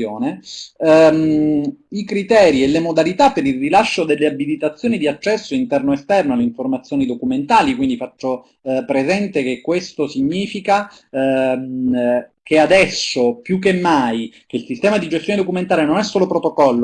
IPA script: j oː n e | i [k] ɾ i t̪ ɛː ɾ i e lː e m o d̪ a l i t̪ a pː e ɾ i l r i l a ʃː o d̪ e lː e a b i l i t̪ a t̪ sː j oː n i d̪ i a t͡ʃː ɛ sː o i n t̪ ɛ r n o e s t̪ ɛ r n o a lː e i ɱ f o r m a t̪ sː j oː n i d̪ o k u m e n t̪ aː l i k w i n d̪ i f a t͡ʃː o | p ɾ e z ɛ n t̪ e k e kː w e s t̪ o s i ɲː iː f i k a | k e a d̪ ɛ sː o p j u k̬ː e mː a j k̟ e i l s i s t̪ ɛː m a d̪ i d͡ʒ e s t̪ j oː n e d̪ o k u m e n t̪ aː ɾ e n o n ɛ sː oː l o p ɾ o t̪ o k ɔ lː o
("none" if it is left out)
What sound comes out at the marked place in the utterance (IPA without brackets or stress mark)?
k